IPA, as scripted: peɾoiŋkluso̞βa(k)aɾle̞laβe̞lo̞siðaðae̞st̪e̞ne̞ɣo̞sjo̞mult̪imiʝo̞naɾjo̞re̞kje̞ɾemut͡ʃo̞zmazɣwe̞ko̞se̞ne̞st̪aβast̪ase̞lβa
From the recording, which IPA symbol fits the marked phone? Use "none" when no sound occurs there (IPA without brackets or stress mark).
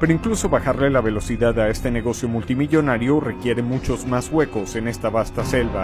x